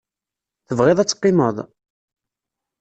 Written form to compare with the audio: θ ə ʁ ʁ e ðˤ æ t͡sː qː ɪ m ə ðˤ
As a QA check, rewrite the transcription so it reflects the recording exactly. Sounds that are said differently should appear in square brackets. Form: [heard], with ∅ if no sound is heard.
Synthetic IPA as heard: θ ə [v] ʁ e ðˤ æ t͡sː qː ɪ m ə ðˤ